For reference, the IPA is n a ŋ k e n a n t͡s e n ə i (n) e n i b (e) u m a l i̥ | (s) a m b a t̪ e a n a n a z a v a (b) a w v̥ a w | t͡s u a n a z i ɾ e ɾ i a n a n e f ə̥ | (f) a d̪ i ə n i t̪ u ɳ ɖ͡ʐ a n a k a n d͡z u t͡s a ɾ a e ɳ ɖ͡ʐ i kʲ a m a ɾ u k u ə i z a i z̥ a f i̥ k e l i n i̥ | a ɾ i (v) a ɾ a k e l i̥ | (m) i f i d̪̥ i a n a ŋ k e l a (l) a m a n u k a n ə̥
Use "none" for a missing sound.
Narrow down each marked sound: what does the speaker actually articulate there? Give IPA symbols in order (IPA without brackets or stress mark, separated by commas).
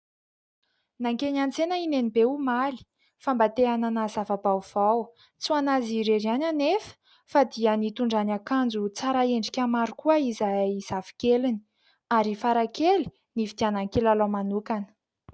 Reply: n, e, f, b, f, f, n, l